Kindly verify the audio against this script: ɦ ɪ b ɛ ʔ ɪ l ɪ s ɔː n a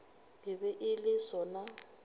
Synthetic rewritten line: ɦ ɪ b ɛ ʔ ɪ l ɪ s ɔ n a